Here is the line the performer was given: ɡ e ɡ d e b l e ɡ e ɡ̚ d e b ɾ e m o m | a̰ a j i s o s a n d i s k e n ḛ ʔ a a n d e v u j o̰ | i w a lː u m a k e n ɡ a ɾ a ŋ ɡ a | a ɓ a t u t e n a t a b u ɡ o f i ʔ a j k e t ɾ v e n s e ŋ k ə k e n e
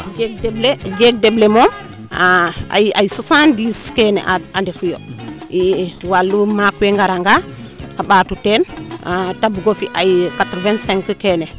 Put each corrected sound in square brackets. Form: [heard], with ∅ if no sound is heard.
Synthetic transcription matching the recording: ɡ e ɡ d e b l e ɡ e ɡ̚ d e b [l] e m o m | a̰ a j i s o s a n d i s k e n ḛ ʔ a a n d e [f] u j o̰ | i w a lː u m a k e [ŋ] ɡ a ɾ a ŋ ɡ a | a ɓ a t u t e n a t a b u ɡ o f i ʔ a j k [a] t ɾ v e n s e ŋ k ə k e n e